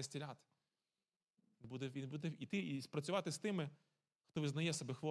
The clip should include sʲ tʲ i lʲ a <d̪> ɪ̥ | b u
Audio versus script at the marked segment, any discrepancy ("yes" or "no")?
yes